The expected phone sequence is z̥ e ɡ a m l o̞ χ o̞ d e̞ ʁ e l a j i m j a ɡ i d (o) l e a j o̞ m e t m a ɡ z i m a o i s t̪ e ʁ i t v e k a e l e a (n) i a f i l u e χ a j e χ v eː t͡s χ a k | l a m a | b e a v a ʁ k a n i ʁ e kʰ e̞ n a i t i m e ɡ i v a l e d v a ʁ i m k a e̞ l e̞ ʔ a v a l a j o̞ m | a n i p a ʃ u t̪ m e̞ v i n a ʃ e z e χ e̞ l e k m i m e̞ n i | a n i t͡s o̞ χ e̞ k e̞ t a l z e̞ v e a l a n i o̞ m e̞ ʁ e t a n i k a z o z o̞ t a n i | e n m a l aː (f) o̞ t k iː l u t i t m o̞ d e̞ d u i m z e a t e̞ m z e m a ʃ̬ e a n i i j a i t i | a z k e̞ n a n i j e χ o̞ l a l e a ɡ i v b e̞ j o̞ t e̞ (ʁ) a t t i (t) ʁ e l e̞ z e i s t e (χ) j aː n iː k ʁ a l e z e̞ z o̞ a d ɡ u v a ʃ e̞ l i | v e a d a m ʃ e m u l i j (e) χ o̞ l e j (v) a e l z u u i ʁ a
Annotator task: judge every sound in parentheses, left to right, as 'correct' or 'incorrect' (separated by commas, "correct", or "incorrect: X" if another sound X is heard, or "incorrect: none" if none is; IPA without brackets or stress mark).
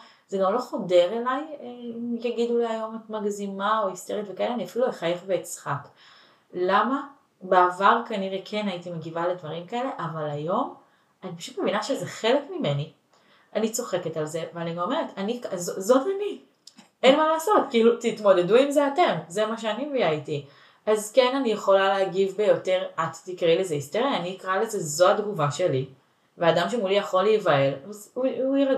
incorrect: u, correct, incorrect: s, correct, incorrect: k, incorrect: ʁ, incorrect: a, correct